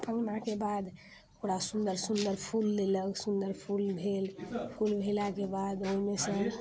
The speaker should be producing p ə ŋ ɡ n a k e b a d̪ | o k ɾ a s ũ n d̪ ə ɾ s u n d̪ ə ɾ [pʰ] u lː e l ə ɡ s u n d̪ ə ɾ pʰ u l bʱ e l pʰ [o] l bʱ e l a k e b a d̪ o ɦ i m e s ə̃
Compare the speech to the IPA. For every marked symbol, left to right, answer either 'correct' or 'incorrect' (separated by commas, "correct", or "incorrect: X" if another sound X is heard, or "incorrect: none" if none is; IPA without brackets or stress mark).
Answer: correct, incorrect: u